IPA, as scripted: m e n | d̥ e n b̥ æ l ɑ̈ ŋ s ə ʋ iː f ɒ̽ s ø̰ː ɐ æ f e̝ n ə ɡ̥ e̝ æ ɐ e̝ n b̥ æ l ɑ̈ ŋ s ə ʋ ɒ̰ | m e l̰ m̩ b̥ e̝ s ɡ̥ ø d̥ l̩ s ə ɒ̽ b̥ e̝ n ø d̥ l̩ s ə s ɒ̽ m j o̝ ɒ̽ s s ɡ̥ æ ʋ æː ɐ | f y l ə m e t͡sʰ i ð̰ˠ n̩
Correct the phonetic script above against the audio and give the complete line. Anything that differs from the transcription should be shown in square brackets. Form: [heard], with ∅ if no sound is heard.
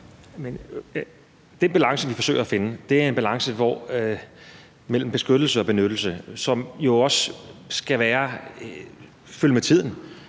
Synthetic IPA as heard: m e n | d̥ e n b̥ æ l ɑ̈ ŋ s ə ʋ [i] f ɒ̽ s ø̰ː ɐ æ f e̝ n ə [d̥] e̝ æ ɐ e̝ n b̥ æ l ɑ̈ ŋ s ə ʋ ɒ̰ | m e l̰ m̩ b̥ e̝ s ɡ̥ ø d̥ l̩ s ə ɒ̽ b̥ e̝ n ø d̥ l̩ s ə s ɒ̽ m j o̝ ɒ̽ s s ɡ̥ æ ʋ æː ɐ | f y l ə m e t͡sʰ i ð̰ˠ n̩